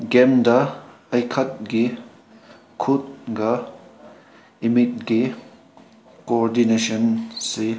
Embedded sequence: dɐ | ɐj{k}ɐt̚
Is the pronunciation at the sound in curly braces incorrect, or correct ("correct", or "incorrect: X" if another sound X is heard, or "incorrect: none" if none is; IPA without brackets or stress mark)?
incorrect: kʰ